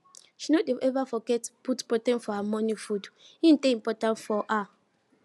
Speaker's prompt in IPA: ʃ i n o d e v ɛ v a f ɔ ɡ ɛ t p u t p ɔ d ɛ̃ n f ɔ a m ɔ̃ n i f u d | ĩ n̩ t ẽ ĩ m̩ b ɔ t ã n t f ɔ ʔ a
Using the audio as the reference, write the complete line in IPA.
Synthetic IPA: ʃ i n o d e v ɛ v a f ɔ ɡ ɛ t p u t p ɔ t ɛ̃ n f ɔ a m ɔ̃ n i f u d | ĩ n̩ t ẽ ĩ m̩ p ɔ t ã n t f ɔ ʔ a